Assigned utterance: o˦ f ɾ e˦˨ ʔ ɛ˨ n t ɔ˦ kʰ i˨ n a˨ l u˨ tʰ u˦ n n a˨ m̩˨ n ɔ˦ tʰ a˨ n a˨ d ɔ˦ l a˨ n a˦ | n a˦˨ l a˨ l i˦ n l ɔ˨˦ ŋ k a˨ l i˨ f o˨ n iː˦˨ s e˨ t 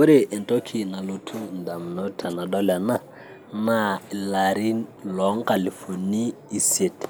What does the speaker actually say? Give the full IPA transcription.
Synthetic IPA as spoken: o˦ ɾ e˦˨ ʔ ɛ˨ n t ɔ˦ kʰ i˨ n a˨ l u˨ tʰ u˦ n d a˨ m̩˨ n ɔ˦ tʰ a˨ n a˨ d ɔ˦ l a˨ n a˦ | n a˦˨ l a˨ ɾ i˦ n l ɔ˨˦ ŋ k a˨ l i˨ f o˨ n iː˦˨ s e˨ t